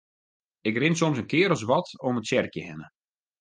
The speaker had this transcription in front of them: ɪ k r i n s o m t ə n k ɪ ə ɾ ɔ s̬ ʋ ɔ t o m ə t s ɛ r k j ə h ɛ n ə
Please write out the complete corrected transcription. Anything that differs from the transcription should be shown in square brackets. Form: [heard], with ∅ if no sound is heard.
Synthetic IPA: ɪ k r [ɪ] n s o m [s] ə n k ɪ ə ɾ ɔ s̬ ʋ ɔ t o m ə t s ɛ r k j ə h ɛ n ə

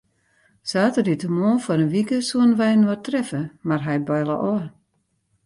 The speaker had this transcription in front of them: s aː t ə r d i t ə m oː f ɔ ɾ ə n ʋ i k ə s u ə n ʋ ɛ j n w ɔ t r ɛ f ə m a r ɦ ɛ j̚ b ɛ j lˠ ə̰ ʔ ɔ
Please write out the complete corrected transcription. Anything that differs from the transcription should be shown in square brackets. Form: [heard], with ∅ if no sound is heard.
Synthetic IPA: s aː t ə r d i t ə m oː f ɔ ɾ ə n ʋ i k ə s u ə n ʋ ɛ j n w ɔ t r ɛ f ə m a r ɦ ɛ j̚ b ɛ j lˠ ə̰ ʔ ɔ

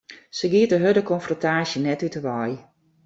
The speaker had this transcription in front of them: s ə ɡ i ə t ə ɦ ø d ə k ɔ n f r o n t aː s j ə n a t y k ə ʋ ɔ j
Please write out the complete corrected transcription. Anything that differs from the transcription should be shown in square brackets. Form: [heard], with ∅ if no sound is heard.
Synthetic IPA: s ə ɡ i ə t ə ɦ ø d ə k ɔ n f r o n t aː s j ə n [ɛ] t y [t] ə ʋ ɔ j

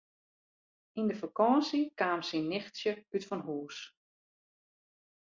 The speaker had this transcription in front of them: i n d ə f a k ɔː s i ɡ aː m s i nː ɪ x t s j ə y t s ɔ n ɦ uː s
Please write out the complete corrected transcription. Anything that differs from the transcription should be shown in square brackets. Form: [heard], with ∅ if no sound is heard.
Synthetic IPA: i n d ə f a k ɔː s i [k] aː m s i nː ɪ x t s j ə y t [f] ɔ n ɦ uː s

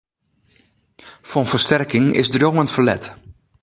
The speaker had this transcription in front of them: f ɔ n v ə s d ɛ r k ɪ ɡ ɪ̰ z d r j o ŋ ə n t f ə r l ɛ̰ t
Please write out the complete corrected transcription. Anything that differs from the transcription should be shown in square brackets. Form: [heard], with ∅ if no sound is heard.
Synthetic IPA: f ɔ n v ə s [t] ɛ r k ɪ [ŋ] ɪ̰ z d r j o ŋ ə n t f ə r l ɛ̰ t

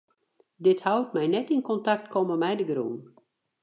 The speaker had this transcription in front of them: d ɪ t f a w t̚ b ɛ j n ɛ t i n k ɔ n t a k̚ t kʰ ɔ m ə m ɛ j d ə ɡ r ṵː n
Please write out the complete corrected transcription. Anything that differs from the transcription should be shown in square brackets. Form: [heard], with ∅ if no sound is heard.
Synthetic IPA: d ɪ t [h] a w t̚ [m] ɛ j n ɛ t i n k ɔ n t a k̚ t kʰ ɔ m ə m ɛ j d ə ɡ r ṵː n

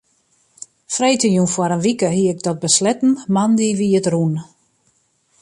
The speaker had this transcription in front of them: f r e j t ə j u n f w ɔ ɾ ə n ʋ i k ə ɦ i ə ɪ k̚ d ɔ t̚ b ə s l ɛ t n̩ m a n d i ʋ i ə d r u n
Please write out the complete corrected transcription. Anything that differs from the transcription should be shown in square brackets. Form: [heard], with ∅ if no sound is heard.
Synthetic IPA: f r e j t ə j u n f w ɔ ɾ ə n ʋ i k ə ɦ i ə ɪ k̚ d ɔ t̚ b ə s l ɛ t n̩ m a n d i ʋ i ə [t] r u n

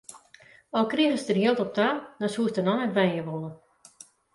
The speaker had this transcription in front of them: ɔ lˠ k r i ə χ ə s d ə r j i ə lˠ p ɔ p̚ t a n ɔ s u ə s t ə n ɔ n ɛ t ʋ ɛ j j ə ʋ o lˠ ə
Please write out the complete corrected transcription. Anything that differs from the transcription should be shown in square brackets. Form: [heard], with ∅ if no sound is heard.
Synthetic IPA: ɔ lˠ k r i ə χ ə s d ə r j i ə lˠ [t] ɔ p̚ t a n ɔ s u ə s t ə n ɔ n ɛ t ʋ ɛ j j ə ʋ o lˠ ə

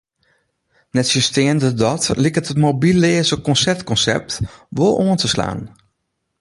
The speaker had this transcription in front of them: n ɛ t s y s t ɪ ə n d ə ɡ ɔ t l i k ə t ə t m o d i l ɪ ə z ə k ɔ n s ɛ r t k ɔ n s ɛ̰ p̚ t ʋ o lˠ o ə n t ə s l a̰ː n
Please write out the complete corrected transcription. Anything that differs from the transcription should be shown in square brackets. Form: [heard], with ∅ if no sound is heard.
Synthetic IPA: n ɛ t s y s t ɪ ə n d ə [d] ɔ t l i k ə t ə t m o [b] i l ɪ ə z ə k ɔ n s ɛ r t k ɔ n s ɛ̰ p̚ t ʋ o lˠ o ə n t ə s l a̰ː n

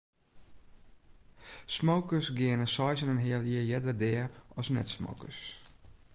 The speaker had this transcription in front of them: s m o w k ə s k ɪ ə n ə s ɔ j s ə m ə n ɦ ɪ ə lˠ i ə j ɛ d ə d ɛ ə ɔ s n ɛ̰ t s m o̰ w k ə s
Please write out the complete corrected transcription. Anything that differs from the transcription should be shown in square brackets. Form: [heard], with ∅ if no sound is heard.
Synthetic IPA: s m o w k ə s [ɡ] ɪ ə n ə s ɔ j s ə [n] ə n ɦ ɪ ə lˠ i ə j ɛ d ə d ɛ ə ɔ s n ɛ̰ t s m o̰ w k ə s

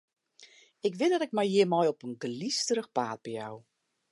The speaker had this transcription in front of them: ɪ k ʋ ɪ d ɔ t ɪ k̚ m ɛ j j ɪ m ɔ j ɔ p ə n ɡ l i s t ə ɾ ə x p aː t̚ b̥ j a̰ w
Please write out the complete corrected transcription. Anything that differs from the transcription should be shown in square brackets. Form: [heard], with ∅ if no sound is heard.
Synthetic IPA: ɪ k ʋ ɪ d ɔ t ɪ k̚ m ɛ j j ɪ m ɔ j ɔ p ə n ɡ l i s t ə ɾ ə x p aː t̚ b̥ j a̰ w

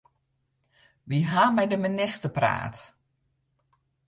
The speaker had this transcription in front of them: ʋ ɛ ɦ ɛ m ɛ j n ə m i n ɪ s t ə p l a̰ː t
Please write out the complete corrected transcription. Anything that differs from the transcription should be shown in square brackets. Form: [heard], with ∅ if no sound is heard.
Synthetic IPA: ʋ [i] ɦ [a] m ɛ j [d] ə m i n ɪ s t ə p [r] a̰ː t

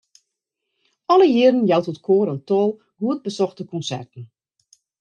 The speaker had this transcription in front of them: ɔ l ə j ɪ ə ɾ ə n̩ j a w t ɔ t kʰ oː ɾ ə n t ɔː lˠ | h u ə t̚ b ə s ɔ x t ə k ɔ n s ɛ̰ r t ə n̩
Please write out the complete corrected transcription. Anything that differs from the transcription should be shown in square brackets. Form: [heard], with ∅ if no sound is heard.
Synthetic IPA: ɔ l ə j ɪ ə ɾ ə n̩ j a w t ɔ t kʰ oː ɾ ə n t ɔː lˠ | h u ə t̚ b ə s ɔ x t ə k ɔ n s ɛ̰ r t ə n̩

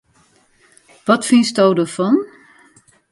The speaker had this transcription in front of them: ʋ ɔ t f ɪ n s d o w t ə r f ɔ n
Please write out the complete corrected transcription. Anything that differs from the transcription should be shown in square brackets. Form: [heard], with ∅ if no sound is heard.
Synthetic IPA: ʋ ɔ t f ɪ n s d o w [d] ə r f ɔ n

